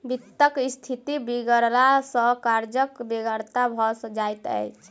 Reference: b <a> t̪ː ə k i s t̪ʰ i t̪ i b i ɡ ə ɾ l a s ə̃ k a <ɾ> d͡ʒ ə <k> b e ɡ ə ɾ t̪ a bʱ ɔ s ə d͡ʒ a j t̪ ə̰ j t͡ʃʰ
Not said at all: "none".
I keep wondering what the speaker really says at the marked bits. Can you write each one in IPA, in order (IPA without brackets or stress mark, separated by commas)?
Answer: i, ɾ, k